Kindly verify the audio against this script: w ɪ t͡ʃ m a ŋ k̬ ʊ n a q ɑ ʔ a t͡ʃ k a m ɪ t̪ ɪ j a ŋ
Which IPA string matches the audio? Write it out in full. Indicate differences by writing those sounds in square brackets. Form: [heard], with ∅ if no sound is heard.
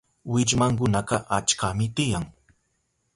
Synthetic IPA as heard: w ɪ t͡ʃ m a ŋ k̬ ʊ n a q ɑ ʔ a t͡ʃ k a m ɪ t̪ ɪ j a ŋ